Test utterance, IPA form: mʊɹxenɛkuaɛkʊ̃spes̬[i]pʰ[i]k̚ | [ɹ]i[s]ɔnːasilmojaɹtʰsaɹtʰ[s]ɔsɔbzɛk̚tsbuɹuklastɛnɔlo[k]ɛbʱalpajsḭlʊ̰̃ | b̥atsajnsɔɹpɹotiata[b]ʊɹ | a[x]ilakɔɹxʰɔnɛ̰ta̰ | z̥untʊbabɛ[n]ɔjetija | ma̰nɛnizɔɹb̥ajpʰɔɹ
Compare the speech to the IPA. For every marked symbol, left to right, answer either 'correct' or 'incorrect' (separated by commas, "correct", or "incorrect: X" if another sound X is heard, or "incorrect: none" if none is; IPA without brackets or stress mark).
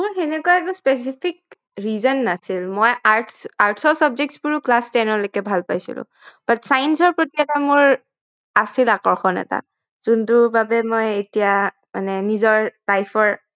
correct, correct, correct, incorrect: z, correct, correct, incorrect: m, incorrect: s, incorrect: m